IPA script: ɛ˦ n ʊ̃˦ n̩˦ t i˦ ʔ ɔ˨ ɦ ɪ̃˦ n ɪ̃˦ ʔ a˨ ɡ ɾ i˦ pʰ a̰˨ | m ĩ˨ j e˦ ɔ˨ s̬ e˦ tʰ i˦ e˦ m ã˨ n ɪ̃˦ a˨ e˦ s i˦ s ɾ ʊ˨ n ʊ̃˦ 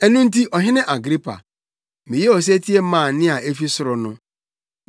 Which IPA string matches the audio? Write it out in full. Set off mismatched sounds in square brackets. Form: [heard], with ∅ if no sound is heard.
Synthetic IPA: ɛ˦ n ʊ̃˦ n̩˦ t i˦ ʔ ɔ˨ ɦ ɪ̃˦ n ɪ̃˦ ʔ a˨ ɡ ɾ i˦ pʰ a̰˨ | m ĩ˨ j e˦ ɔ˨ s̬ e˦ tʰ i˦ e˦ m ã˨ n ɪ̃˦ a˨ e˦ [f] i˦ s ɾ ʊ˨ n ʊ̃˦